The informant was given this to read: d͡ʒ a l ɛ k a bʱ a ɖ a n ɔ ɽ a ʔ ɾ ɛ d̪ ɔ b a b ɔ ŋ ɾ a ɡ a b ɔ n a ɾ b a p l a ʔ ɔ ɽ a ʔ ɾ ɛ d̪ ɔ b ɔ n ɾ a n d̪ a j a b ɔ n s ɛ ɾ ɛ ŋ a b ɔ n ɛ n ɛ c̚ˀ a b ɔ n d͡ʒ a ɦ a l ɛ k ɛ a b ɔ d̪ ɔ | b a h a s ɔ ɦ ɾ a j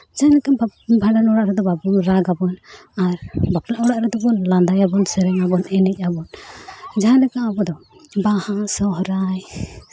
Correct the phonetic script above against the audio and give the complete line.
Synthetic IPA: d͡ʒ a l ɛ k a bʱ a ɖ a n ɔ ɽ a ʔ ɾ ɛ d̪ ɔ b a b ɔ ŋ ɾ a ɡ a b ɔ n a ɾ b a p l a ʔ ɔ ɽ a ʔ ɾ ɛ d̪ ɔ b ɔ n l a n d̪ a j a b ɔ n s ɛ ɾ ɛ ŋ a b ɔ n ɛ n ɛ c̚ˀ a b ɔ n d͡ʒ a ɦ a l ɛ k a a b ɔ d̪ ɔ | b a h a s ɔ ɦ ɾ a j